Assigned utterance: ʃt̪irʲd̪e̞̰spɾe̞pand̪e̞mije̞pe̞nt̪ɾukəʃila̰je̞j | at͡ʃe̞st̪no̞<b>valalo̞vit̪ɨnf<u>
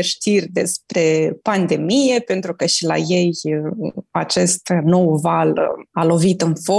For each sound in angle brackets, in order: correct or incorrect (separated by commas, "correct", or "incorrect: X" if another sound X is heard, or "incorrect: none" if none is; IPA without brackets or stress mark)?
incorrect: w, incorrect: o